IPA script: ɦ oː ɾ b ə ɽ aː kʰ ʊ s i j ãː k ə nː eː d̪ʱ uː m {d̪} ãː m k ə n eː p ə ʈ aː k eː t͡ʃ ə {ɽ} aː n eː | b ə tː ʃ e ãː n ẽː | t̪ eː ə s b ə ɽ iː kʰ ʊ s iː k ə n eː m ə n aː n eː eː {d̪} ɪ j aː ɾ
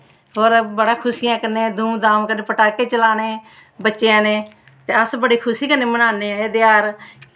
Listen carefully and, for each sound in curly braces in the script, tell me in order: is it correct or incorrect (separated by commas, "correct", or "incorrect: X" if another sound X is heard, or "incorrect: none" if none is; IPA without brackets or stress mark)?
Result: correct, incorrect: l, correct